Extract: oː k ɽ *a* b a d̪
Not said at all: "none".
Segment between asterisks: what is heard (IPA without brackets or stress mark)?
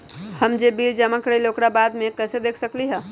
a